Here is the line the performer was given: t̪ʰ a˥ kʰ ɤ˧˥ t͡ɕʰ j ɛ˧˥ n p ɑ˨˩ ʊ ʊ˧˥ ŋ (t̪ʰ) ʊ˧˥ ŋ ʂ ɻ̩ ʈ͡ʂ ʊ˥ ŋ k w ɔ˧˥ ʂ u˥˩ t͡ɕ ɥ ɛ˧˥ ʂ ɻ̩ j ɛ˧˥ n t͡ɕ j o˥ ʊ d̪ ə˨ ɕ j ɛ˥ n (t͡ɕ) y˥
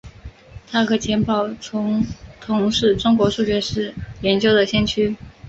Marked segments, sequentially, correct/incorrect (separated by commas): correct, incorrect